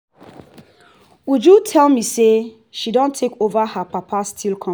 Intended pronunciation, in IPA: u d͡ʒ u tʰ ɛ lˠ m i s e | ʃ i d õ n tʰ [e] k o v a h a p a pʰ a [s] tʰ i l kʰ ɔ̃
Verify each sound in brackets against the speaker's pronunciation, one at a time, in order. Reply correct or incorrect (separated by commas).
correct, correct